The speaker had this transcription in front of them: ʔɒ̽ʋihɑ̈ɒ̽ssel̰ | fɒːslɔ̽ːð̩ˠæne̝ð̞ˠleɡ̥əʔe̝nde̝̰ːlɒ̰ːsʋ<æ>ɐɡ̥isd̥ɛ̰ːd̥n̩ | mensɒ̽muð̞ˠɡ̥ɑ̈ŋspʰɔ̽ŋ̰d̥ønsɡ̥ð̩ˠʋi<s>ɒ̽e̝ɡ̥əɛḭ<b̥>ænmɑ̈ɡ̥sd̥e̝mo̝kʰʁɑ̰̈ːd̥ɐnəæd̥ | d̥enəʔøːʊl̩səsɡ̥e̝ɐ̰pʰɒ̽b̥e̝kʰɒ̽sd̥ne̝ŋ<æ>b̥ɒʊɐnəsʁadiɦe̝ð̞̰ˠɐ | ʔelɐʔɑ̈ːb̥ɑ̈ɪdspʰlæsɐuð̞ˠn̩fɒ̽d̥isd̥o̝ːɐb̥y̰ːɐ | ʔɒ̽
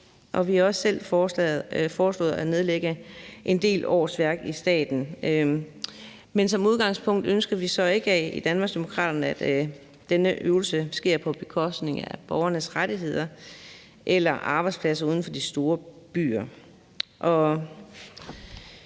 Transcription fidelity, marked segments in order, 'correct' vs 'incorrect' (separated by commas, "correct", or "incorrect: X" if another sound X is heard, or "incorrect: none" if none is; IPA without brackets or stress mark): correct, correct, incorrect: d̥, correct